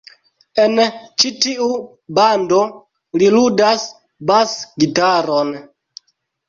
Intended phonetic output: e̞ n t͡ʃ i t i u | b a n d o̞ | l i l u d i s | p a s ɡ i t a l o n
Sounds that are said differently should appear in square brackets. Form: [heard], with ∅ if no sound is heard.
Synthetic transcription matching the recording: e̞ n t͡ʃ i t i u | b a n d o̞ | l i l u d [a] s | [b] a s ɡ i t a [ɾ] o n